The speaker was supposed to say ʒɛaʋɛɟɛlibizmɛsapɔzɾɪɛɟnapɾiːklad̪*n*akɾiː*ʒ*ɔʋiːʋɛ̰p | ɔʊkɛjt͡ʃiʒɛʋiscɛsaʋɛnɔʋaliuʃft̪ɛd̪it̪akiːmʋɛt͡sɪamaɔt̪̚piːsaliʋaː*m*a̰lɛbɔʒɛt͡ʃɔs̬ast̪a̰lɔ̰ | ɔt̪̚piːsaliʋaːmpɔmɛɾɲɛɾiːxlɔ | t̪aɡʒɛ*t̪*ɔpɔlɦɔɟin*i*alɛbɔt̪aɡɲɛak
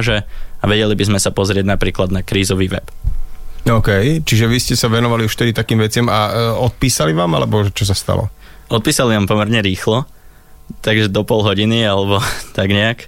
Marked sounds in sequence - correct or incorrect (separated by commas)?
correct, incorrect, correct, incorrect, correct